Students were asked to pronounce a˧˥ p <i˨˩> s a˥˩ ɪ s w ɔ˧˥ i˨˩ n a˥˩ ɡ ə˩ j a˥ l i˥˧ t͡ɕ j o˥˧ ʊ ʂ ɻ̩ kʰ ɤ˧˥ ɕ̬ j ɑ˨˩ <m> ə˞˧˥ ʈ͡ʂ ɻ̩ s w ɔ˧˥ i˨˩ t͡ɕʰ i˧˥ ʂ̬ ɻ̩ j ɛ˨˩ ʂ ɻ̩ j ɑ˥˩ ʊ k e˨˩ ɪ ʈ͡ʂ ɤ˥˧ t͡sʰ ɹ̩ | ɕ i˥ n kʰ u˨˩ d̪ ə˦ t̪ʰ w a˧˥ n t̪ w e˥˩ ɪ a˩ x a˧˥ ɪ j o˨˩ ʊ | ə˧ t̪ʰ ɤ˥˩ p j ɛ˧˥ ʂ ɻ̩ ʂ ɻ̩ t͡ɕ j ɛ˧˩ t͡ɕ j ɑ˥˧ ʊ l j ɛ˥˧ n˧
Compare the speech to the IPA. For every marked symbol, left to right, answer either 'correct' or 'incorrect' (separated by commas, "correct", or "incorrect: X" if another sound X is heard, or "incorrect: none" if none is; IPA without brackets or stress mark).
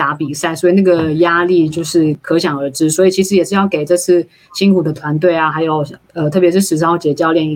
correct, incorrect: ŋ